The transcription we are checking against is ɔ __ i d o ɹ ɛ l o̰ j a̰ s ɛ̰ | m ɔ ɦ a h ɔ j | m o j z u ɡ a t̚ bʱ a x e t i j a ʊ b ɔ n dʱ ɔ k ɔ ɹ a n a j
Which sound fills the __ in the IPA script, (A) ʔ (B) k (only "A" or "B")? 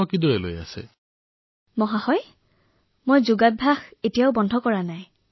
B